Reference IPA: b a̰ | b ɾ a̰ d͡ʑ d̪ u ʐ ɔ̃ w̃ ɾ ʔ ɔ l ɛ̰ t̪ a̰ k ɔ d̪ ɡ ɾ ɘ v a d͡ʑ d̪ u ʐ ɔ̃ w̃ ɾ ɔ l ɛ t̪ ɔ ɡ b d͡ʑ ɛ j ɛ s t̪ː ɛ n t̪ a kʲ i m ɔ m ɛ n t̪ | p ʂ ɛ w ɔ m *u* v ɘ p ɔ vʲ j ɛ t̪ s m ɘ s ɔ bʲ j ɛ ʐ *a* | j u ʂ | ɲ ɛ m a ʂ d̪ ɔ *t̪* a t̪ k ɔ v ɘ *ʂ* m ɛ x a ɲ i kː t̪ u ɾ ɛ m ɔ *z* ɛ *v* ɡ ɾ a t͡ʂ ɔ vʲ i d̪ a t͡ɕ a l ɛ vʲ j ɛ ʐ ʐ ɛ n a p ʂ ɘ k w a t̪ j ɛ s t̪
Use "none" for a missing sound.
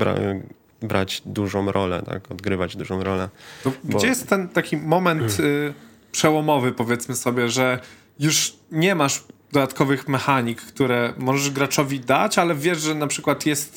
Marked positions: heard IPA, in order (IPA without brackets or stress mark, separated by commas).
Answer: ɔ, ɛ, d̪, x, ʐ, ʐ